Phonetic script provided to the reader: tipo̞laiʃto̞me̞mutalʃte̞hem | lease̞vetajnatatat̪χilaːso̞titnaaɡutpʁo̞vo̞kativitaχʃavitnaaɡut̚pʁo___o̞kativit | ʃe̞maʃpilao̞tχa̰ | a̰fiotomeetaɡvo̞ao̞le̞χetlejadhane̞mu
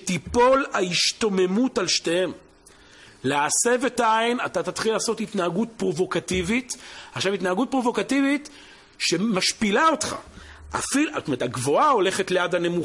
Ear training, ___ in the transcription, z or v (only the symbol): v